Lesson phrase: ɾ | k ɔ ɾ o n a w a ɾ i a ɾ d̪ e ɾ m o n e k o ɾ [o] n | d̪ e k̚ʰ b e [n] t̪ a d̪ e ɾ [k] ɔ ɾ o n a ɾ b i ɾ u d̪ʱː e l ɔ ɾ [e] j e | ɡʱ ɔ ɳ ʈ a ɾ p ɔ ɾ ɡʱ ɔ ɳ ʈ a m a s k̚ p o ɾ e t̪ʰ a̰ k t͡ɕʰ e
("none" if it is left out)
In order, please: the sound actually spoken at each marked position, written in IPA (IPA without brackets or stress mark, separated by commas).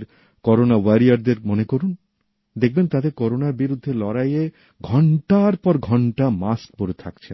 u, n, k, a